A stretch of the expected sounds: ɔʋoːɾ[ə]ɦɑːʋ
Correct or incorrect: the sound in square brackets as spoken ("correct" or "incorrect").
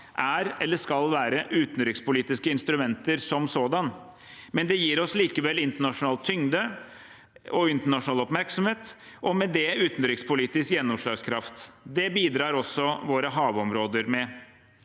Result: correct